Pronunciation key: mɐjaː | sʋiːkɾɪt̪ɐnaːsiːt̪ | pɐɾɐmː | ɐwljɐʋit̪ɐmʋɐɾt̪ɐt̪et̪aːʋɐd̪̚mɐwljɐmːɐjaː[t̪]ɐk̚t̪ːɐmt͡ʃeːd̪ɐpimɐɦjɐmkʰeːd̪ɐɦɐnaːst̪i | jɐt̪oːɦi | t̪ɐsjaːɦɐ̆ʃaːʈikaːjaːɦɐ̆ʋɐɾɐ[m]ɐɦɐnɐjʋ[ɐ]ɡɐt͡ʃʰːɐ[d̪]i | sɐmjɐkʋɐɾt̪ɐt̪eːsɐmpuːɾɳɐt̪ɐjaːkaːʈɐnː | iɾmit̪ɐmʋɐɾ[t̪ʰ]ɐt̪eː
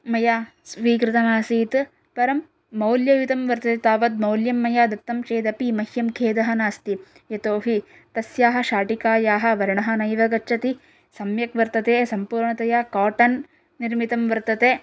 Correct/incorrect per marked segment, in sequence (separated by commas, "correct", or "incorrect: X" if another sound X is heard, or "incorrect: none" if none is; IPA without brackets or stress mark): incorrect: d̪, incorrect: ɳ, correct, incorrect: t̪, incorrect: t̪